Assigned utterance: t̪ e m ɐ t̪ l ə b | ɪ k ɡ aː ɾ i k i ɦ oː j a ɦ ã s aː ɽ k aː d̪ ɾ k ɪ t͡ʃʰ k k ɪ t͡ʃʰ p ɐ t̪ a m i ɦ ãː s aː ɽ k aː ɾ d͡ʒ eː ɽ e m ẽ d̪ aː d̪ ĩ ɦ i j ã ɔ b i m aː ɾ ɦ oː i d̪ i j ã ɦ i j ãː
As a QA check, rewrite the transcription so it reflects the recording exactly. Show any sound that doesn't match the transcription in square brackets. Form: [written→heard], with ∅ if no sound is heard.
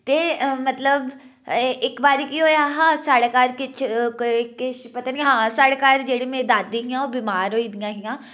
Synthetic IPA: t̪ e m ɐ t̪ l ə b | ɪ k [ɡ→b] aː ɾ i k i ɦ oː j a ɦ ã s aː ɽ k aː [d̪→∅] ɾ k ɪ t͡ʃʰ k k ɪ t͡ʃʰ p ɐ t̪ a [m→n] i ɦ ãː s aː ɽ k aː ɾ d͡ʒ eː ɽ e m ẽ d̪ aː d̪ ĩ ɦ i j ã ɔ b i m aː ɾ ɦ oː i d̪ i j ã ɦ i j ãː